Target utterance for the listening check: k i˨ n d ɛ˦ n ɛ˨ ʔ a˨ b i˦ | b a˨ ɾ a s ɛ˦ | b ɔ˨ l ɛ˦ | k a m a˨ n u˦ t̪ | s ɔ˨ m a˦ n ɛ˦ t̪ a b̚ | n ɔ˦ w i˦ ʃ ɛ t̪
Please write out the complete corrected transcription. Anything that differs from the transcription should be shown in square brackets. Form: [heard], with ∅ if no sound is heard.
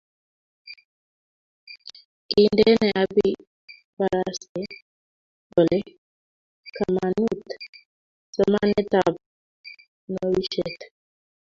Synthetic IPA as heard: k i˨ n d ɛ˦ n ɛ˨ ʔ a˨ b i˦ | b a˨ ɾ a s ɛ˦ | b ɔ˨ l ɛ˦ | k a m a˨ n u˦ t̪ | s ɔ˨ m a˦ n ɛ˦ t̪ a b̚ | n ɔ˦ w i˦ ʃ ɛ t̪